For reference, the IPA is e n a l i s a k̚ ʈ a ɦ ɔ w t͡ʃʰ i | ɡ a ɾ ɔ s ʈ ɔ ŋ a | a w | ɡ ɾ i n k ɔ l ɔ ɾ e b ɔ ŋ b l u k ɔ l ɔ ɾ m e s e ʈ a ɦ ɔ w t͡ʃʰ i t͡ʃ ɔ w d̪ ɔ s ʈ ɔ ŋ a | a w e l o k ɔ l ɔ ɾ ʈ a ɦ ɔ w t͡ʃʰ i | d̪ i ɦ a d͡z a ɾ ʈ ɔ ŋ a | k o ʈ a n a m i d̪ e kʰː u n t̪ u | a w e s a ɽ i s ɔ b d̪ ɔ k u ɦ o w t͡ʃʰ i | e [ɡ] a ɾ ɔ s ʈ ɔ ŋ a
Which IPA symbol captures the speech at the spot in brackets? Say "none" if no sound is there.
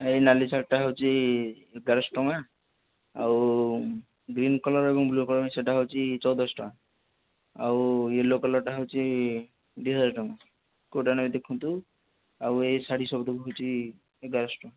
ɡ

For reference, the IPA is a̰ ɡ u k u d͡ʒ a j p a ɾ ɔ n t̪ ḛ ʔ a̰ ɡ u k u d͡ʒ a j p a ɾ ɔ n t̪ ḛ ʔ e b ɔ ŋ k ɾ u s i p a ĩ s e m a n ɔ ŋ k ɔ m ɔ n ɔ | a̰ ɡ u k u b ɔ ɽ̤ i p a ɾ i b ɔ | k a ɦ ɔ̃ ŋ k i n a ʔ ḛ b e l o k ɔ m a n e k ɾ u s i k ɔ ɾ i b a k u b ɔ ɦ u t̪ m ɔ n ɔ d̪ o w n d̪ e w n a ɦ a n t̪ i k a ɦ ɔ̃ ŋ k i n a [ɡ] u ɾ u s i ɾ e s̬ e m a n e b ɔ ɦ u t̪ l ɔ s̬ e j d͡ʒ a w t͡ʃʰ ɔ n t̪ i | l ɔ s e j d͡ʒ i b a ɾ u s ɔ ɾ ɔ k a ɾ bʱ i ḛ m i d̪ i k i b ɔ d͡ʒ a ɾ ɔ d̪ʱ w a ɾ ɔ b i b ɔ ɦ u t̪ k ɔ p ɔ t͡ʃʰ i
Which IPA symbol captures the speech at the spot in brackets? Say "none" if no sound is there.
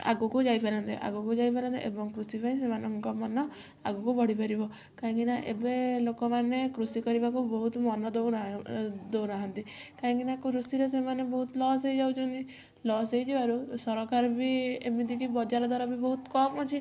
k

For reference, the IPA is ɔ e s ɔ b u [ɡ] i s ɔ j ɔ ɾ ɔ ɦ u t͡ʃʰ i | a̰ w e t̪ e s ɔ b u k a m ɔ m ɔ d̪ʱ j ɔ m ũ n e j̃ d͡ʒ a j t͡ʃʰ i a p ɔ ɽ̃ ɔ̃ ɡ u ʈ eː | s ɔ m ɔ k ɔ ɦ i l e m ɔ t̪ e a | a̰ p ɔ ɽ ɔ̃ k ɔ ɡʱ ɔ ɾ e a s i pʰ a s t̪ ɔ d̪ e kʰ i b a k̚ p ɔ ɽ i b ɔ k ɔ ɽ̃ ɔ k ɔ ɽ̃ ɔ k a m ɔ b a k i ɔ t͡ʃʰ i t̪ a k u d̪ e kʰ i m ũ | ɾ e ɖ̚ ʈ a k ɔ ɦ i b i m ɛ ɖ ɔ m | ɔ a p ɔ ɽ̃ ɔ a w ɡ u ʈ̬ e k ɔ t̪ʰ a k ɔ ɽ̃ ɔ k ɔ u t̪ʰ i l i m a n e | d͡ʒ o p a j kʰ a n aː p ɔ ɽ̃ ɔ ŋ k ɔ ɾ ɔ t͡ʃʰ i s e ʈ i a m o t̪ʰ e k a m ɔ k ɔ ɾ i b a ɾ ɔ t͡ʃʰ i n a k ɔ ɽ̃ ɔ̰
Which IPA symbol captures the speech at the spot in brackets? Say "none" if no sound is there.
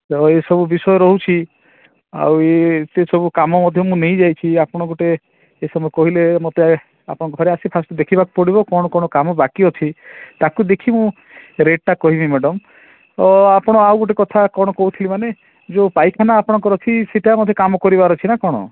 b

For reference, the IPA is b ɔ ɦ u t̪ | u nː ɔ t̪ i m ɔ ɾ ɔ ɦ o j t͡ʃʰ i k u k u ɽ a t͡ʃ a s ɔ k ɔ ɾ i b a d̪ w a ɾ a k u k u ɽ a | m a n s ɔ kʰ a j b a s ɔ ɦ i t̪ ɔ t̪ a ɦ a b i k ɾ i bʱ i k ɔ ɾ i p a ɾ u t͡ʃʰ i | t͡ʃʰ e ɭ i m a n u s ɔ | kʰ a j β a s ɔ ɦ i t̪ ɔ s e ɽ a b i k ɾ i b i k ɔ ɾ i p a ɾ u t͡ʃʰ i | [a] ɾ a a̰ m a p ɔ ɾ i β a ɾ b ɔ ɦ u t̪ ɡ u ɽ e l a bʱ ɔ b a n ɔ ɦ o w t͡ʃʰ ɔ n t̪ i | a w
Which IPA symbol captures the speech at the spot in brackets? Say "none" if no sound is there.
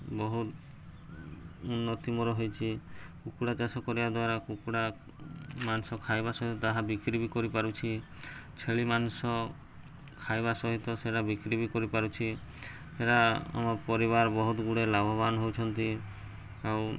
e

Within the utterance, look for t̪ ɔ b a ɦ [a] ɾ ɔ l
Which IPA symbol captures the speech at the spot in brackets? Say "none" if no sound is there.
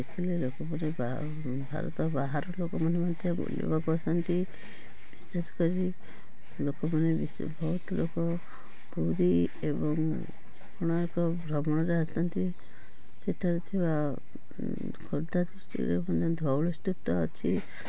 a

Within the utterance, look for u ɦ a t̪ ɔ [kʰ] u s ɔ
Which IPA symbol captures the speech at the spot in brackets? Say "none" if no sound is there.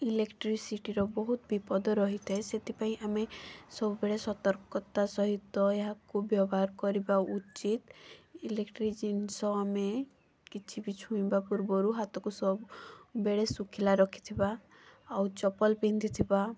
k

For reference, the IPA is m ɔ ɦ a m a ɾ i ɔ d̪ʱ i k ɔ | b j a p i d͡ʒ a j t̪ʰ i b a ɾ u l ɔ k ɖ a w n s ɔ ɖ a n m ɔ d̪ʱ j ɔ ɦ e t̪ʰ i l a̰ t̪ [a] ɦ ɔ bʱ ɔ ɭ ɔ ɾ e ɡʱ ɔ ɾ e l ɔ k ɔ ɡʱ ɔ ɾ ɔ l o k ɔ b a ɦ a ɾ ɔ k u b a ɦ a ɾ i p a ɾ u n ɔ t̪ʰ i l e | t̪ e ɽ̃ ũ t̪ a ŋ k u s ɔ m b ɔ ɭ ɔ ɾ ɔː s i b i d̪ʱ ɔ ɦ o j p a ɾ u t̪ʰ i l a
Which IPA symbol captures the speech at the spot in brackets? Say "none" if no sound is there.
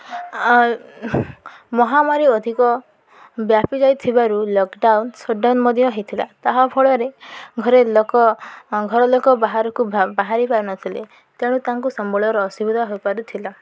a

